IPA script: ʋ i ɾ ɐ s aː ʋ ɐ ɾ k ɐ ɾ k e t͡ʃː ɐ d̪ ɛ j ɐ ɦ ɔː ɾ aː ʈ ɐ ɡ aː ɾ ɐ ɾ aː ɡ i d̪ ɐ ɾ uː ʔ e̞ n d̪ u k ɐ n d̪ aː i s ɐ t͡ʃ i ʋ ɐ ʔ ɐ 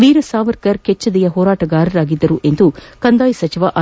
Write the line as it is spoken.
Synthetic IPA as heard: ʋ iː ɾ ɐ s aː ʋ ɐ ɾ k ɐ ɾ k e t͡ʃː ɐ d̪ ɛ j ɐ ɦ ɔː ɾ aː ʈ ɐ ɡ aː ɾ ɐ ɾ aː ɡ i d̪ː ɐ ɾ u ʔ e̞ n d̪ u k ɐ n d̪ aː j s ɐ t͡ʃ i ʋ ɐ ʔ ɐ

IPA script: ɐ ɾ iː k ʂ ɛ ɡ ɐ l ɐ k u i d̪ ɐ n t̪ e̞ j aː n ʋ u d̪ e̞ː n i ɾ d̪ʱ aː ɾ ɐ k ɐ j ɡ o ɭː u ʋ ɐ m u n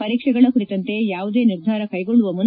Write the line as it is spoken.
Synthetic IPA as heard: ɐ ɾ iː k ʂ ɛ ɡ ɐ ɭ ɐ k u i t̪ ɐ n t̪ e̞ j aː ʋ u d̪ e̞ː n i ɾ d̪ʱ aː ɾ ɐ k ɐ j ɡ o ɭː u ʋ ɐ m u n

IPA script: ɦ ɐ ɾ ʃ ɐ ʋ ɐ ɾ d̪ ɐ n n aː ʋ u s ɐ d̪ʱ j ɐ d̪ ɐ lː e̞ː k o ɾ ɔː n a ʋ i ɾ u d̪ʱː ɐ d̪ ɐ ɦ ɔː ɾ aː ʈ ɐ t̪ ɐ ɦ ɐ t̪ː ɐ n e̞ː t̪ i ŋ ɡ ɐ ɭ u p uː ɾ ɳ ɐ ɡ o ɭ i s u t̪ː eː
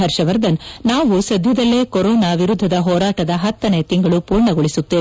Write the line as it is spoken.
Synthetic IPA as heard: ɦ ɐ ɾ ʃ ɐ ʋ ɐ ɾ d̪ ɐ n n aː ʋ u s ɐ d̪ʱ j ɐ d̪ ɐ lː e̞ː k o ɾ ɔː n a ʋ i ɾ u d̪ʱː ɐ d̪ ɐ ɦ ɔː ɾ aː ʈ ɐ d̪ ɐ ɦ ɐ t̪ː ɐ n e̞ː t̪ i ŋ ɡ ɐ ɭ u p uː ɾ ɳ ɐ ɡ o ɭ i s u t̪ː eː

